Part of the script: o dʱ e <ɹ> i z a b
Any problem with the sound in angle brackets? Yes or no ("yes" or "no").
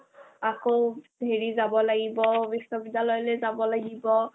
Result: no